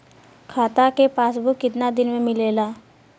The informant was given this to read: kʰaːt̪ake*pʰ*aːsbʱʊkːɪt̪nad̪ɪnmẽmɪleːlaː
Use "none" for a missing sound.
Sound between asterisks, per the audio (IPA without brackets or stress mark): p